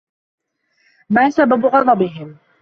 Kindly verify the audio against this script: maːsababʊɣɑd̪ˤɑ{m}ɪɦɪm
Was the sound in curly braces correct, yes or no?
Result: no